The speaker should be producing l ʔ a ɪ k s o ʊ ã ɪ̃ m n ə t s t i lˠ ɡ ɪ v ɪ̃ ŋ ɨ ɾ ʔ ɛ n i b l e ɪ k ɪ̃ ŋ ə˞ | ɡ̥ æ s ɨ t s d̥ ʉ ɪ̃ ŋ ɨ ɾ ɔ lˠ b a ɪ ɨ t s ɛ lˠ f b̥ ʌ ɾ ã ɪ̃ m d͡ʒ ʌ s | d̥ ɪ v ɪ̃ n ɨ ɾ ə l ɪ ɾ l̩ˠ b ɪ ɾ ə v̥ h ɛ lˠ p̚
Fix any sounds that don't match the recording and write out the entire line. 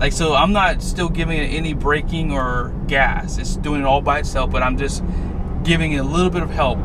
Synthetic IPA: l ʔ a ɪ k s o ʊ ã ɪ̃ m n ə t s t ɪ lˠ ɡ ɪ v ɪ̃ ŋ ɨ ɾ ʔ ɛ n i b ɹ e ɪ k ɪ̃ ŋ ə˞ | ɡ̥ æ s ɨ t s d̥ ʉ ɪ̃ ŋ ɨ ɾ ɔ lˠ b a ɪ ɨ t s ɛ lˠ f b̥ ʌ ɾ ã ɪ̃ m d͡ʒ ʌ s | ɡ̥ ɪ v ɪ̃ ŋ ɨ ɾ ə l ɪ ɾ l̩ˠ b ɪ ɾ ʌ v̥ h ɛ lˠ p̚